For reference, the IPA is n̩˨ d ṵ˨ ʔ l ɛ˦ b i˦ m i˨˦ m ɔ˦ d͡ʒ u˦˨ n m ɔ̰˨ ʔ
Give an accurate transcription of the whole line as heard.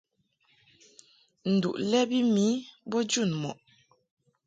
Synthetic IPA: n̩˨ d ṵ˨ ʔ l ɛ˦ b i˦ m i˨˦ b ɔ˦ d͡ʒ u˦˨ n m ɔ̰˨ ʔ